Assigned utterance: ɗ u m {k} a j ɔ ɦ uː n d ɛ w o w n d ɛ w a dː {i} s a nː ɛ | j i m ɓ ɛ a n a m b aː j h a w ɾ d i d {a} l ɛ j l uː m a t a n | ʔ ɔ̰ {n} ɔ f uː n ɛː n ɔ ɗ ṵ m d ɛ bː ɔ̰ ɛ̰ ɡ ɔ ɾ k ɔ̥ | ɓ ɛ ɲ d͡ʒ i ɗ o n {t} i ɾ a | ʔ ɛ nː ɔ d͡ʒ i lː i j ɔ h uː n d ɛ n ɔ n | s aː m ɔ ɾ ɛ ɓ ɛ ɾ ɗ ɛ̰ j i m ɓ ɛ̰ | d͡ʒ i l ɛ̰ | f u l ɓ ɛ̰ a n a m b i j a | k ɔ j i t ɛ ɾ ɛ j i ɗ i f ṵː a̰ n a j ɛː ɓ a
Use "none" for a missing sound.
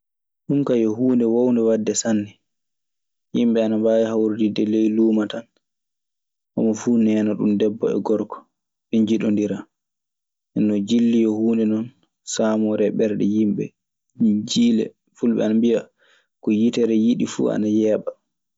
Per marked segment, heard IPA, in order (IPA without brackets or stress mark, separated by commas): k, ɛ, ɛ, m, d